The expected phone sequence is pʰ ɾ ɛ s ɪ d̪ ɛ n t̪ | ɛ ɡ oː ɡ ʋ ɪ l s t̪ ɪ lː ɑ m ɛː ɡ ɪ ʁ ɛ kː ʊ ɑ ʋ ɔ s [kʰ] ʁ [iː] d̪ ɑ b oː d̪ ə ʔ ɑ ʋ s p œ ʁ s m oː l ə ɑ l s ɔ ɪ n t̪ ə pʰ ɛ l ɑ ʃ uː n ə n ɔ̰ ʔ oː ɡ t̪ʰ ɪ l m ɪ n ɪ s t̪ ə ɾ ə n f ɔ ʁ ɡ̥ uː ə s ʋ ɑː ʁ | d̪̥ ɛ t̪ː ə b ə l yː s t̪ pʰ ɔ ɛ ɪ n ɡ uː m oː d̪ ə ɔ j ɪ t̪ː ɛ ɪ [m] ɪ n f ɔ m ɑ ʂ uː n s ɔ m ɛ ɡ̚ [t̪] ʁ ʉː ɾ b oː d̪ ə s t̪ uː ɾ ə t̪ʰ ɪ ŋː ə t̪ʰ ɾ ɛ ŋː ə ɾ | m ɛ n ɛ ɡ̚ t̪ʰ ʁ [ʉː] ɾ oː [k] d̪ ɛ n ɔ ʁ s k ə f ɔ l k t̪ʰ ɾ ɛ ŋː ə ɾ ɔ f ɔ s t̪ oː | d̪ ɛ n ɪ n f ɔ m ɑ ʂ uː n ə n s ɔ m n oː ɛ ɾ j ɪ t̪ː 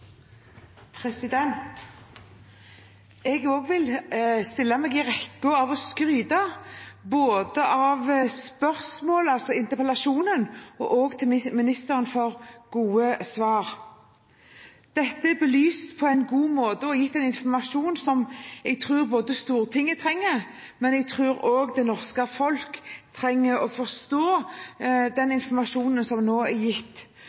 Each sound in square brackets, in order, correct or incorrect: incorrect, incorrect, incorrect, incorrect, correct, incorrect

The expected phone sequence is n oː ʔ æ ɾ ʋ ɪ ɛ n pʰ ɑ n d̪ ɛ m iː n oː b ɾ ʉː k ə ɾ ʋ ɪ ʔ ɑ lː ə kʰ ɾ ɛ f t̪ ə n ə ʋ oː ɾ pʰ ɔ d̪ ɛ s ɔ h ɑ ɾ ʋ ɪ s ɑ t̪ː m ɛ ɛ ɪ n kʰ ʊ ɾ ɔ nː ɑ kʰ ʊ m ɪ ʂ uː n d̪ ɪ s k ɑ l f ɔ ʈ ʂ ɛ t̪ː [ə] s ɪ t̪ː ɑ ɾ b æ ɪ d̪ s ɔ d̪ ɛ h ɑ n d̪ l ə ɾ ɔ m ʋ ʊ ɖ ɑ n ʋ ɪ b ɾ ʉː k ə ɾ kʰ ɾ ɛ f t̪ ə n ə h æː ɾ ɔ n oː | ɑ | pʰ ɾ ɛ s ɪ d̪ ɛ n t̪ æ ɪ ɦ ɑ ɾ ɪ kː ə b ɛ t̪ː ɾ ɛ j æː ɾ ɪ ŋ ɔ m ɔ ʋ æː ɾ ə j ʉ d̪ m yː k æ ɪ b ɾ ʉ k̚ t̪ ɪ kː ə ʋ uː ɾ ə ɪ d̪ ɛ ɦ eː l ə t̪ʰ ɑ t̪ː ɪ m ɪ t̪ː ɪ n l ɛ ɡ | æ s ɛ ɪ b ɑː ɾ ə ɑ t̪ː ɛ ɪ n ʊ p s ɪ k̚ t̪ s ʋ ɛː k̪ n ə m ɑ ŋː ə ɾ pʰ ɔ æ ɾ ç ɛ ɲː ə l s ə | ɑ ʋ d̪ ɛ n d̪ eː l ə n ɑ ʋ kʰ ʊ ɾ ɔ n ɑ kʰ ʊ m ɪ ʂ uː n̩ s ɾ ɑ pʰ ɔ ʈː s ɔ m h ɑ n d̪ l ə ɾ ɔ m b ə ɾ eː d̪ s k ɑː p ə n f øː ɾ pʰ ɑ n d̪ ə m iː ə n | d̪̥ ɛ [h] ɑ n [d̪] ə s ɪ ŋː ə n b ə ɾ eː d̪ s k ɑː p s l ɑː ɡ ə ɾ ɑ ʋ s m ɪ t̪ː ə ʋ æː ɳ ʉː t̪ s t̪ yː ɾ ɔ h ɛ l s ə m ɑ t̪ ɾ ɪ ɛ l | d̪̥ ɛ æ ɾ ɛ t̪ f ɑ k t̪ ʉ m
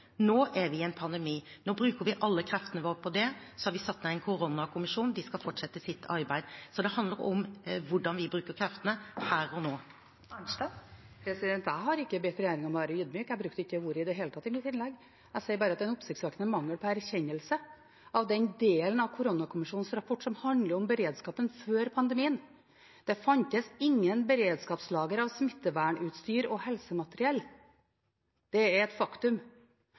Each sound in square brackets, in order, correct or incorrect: correct, incorrect, incorrect

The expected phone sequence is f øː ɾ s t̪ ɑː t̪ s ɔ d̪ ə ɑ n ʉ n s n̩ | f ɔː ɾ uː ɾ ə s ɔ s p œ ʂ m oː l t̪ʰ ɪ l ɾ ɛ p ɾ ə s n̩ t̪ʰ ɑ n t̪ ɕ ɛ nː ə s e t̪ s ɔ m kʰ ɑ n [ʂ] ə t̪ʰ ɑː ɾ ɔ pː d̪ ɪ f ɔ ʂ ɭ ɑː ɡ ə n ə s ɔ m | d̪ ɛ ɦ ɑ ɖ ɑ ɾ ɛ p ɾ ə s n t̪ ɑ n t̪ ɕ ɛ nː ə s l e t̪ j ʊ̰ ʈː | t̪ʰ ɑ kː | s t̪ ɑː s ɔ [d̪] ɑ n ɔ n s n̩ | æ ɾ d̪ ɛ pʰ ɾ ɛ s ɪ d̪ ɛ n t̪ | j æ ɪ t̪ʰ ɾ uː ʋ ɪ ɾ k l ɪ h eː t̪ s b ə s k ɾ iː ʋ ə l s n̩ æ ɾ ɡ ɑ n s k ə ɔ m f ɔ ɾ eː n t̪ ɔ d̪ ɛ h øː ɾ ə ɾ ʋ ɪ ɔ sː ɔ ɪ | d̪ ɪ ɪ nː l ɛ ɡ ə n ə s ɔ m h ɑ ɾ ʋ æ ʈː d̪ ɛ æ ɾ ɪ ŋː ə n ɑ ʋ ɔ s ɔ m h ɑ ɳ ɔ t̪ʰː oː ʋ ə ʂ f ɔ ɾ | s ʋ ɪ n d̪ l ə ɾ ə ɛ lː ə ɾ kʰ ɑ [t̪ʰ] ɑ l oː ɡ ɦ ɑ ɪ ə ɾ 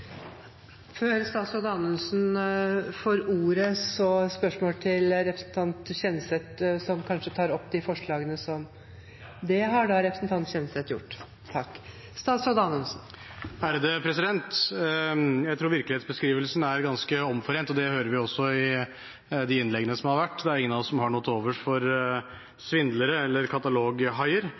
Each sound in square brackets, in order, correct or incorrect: correct, correct, incorrect

